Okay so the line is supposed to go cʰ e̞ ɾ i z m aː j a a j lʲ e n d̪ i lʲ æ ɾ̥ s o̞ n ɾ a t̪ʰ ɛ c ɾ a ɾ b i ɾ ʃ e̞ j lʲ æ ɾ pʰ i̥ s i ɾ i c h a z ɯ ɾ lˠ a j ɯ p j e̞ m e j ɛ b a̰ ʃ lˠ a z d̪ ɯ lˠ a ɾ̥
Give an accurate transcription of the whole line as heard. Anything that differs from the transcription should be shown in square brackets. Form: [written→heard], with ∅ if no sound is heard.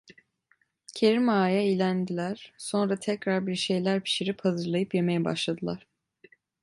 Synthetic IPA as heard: cʰ e̞ ɾ i [z→∅] m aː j a [a→i] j lʲ [e→æ] n d̪ i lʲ æ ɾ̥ s o̞ n ɾ a t̪ʰ ɛ c ɾ a ɾ b i ɾ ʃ e̞ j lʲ æ ɾ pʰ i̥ [s→ʃ] i ɾ i [c→p] h a z ɯ ɾ lˠ a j ɯ p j e̞ m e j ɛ b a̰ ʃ lˠ a [z→∅] d̪ ɯ lˠ a ɾ̥